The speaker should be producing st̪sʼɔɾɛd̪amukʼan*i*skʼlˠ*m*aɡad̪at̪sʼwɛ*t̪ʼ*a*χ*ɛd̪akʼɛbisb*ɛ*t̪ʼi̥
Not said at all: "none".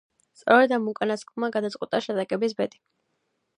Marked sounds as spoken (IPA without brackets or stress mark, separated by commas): a, m, t̪ʼ, ʃ, ɛ